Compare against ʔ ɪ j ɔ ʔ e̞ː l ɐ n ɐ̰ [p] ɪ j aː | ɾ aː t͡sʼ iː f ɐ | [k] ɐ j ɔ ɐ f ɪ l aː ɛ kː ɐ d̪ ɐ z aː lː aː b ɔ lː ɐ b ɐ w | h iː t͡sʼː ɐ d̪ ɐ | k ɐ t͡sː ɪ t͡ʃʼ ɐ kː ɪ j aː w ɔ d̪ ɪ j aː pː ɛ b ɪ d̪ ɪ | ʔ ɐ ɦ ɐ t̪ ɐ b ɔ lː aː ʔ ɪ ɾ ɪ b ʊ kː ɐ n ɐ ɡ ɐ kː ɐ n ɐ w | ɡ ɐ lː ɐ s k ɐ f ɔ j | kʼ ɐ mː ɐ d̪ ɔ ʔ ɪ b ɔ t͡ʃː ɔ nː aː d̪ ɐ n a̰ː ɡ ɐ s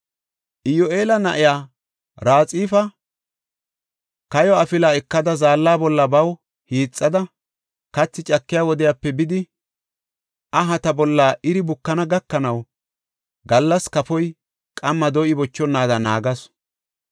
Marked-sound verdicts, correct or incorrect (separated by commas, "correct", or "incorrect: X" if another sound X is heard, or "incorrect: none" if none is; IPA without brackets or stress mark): incorrect: ʔ, correct